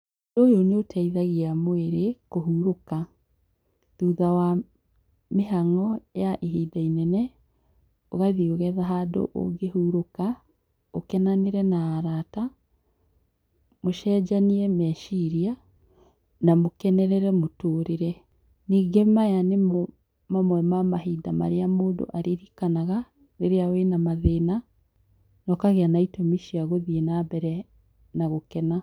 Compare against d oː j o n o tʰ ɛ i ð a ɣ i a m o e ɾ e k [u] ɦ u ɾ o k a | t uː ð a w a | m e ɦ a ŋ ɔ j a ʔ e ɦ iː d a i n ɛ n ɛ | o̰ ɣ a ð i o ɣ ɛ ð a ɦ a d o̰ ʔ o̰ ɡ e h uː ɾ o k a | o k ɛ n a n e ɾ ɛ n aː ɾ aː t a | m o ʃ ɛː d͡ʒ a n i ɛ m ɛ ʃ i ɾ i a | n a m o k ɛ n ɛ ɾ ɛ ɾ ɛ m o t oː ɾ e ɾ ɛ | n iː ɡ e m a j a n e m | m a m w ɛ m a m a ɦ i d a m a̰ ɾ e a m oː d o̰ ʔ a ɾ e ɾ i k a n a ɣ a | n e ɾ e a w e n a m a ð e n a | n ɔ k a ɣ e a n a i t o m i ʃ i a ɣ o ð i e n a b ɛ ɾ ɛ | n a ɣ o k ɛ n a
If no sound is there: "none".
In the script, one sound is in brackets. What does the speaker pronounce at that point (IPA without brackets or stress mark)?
o